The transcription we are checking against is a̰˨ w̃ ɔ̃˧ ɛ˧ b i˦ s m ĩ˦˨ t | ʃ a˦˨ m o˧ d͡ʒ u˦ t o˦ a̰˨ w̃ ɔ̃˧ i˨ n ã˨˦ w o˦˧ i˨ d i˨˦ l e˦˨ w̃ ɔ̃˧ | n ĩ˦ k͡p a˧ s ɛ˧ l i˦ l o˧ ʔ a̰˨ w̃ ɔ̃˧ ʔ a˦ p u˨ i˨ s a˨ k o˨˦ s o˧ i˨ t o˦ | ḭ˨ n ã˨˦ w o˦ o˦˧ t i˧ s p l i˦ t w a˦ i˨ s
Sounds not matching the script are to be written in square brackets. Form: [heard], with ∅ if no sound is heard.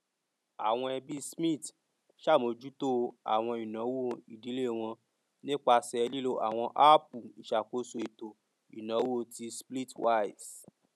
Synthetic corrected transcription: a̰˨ w̃ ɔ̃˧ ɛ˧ b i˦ s m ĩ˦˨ t | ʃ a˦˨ m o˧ d͡ʒ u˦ t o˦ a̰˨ w̃ ɔ̃˧ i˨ n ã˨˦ w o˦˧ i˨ d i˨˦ l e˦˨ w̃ ɔ̃˧ | n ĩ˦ k͡p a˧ s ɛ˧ l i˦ l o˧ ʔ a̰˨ w̃ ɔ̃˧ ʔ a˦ p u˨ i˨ [ʃ] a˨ k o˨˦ s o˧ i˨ t [o˨] | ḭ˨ n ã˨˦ w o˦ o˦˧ t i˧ s p l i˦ t w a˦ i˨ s